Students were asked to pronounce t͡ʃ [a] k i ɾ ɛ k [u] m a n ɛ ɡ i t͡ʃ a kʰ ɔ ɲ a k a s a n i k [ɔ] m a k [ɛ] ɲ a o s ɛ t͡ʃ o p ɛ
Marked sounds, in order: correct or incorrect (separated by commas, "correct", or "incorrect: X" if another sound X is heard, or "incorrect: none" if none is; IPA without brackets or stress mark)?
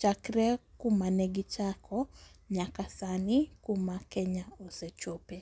correct, correct, incorrect: u, correct